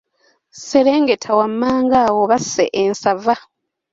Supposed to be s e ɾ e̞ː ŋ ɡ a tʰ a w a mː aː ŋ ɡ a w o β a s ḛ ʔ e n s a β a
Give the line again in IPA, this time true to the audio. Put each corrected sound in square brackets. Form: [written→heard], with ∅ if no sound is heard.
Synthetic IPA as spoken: s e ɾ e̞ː ŋ ɡ [a→e] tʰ a w a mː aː ŋ ɡ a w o β a s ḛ ʔ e n s a [β→v] a